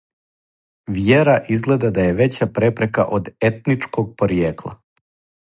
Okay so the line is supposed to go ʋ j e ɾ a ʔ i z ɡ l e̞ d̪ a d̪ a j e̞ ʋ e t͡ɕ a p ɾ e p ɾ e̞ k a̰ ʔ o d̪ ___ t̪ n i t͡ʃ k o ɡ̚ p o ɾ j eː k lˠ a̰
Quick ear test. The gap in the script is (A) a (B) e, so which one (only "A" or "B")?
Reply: B